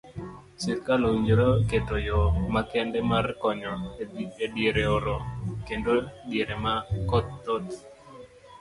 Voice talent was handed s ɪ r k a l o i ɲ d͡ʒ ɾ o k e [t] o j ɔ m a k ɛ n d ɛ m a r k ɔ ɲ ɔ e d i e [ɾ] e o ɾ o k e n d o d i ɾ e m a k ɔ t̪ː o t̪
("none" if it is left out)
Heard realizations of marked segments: t, ɾ

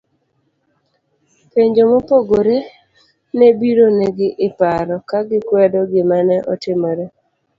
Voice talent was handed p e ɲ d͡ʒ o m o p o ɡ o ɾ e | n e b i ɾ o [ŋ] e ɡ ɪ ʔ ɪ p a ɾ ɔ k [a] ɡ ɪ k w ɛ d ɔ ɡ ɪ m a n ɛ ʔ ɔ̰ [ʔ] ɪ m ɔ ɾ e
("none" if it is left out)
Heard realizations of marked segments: n, a, t

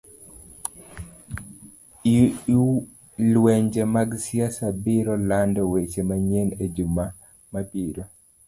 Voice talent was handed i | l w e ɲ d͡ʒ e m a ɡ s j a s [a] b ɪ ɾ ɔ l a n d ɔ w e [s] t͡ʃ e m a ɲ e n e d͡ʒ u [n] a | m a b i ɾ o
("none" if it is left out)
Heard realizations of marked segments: a, none, m

